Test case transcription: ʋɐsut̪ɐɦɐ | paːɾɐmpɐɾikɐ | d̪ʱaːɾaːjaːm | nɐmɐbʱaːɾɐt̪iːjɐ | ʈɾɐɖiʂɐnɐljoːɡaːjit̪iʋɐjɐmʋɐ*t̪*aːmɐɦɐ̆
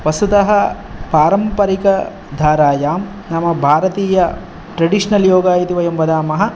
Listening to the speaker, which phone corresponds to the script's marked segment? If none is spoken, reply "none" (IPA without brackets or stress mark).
d̪